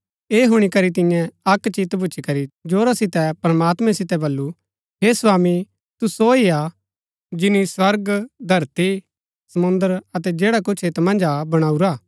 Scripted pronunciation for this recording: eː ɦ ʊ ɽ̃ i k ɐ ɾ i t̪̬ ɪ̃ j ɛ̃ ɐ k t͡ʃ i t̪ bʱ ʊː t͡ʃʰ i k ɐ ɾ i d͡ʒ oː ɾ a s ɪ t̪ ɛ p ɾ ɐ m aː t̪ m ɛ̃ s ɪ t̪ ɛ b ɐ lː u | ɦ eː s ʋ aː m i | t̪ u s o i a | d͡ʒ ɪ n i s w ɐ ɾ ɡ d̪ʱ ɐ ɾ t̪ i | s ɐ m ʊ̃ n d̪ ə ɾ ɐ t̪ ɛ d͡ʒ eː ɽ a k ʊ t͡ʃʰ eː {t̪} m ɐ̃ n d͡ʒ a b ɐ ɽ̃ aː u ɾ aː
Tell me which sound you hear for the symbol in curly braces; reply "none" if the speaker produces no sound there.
t̪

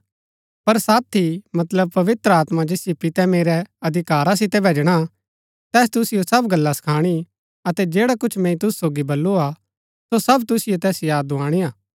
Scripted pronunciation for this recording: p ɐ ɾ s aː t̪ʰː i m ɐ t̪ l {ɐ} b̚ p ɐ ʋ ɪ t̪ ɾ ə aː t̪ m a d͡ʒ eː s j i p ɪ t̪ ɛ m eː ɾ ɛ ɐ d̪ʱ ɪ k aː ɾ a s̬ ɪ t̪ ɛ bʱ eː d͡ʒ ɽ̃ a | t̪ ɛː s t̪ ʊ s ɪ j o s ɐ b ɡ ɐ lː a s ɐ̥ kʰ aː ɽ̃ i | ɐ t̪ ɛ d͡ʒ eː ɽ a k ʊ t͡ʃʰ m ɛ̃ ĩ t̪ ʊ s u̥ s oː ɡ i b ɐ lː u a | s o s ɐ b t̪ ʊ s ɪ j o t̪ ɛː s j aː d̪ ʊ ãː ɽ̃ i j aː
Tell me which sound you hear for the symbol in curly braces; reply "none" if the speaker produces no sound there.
ə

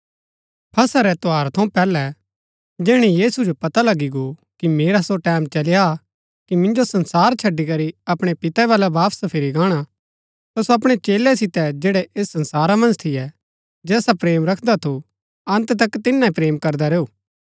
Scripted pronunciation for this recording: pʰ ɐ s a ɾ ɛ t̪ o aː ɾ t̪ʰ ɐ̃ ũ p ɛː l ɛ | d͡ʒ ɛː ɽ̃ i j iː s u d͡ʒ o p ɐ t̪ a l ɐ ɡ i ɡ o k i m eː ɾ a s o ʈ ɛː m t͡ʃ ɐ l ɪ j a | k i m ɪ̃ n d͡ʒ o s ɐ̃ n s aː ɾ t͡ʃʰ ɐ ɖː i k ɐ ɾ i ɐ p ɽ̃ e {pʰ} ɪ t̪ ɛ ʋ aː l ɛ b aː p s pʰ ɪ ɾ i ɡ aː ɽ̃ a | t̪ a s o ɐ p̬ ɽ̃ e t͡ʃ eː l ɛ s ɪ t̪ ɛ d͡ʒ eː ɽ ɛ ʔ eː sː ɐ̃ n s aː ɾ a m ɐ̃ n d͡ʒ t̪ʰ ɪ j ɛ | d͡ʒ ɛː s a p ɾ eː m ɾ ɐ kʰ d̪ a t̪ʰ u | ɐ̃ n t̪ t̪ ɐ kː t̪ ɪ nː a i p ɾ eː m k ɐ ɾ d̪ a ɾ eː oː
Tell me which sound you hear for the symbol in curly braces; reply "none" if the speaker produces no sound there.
p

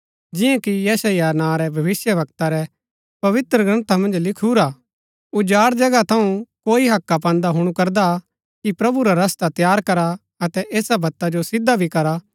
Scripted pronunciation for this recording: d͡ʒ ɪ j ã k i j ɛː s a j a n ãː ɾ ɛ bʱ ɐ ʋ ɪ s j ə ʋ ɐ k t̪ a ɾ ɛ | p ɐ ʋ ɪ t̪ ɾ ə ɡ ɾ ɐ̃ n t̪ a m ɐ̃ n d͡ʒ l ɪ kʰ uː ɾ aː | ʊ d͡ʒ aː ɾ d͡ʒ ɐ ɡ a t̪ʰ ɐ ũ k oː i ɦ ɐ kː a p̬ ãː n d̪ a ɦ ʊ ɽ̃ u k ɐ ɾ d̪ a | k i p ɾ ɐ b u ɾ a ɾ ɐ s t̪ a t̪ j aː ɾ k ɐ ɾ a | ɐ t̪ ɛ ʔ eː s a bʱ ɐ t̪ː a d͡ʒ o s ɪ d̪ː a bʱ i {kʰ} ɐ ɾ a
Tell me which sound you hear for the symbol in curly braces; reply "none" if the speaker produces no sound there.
k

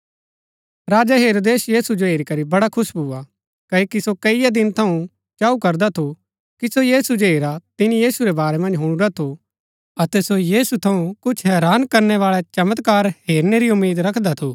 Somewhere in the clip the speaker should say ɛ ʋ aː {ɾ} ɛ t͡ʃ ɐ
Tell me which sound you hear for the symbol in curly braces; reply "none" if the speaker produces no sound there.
ɭ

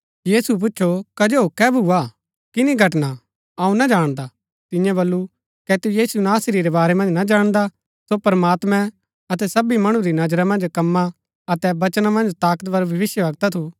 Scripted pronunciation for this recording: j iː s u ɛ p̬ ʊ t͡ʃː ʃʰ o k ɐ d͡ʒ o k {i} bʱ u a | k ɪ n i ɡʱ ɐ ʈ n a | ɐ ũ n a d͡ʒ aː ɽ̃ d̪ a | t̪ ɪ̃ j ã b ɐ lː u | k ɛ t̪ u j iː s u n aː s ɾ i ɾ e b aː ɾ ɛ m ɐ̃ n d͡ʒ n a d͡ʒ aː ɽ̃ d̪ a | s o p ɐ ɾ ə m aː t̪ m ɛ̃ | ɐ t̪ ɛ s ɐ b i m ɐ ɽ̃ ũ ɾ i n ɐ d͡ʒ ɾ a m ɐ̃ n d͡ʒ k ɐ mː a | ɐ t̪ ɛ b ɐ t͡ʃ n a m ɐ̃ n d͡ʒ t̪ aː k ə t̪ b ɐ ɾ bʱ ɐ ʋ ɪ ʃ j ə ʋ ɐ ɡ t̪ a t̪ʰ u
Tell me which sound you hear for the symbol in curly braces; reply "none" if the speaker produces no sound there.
ɛ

